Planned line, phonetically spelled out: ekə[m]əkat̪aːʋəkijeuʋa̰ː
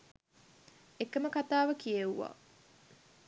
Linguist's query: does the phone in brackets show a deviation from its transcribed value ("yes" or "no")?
no